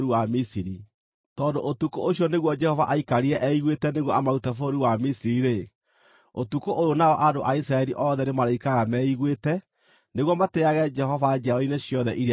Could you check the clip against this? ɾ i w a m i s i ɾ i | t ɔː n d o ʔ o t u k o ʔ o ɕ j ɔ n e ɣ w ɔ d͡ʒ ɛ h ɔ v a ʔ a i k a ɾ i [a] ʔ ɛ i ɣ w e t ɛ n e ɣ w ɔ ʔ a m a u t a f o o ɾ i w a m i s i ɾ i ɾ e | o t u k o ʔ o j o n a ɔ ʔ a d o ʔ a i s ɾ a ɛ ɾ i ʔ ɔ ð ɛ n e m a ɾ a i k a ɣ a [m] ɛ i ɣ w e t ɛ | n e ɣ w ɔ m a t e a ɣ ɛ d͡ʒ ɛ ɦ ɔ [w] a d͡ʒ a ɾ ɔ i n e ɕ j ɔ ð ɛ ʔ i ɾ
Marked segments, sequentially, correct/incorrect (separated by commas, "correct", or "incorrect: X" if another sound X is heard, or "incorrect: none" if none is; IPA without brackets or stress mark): incorrect: ɛ, correct, incorrect: v